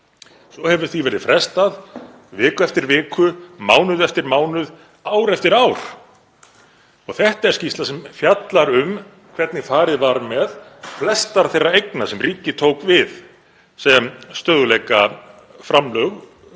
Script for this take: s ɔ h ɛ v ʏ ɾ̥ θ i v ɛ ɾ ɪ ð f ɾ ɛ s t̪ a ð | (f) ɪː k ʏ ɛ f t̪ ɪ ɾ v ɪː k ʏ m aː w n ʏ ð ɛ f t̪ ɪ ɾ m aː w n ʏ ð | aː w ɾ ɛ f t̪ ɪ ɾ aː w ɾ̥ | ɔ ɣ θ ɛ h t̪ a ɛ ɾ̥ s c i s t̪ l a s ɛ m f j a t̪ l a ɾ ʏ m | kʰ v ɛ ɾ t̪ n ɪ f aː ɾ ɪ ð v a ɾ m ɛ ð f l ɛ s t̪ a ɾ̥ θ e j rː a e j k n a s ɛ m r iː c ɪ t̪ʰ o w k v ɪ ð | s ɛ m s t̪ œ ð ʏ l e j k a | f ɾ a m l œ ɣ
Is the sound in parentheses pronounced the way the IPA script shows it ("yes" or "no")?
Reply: no